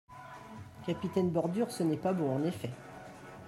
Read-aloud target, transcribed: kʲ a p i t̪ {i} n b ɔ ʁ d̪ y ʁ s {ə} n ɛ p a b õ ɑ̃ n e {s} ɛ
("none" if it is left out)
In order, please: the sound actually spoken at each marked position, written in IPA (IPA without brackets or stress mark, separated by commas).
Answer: ɛ, ə, f